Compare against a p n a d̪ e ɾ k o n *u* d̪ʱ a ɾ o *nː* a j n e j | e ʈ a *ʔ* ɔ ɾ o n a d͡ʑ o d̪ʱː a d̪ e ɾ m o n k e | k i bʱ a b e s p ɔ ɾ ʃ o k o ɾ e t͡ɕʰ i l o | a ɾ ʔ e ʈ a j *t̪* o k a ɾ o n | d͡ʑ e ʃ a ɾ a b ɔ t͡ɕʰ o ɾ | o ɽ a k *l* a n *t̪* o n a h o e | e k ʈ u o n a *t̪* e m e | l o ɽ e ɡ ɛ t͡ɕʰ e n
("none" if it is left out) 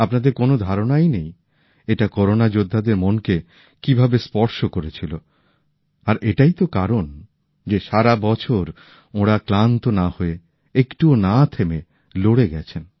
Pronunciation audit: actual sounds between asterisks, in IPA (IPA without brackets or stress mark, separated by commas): o, n, k, t̪, l, t̪, t̪ʰ